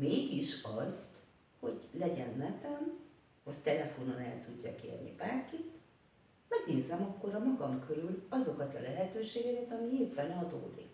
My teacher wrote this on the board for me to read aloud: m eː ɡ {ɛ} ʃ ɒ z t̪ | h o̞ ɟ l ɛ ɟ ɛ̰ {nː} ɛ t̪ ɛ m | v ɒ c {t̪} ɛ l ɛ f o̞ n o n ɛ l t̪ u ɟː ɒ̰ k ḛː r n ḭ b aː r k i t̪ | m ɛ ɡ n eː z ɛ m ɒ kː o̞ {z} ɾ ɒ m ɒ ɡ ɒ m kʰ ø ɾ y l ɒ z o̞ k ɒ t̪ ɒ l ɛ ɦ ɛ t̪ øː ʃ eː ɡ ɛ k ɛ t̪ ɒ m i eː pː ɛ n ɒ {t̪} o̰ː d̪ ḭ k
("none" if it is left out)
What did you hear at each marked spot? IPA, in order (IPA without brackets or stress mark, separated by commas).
i, nː, t̪, none, d̪